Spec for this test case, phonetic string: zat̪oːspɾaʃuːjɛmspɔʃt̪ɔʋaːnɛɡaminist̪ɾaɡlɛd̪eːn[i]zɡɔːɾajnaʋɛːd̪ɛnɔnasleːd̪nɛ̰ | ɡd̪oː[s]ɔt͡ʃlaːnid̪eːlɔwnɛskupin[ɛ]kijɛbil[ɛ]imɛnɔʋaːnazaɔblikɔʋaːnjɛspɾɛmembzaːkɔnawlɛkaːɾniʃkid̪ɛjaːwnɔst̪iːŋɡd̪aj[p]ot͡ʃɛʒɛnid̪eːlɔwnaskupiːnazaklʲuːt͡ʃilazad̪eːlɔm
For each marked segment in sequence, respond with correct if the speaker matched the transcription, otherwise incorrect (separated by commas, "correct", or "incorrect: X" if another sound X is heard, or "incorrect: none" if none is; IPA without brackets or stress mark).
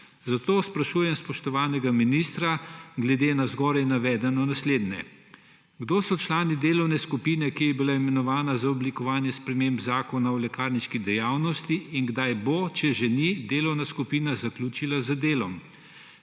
incorrect: a, correct, correct, incorrect: a, incorrect: b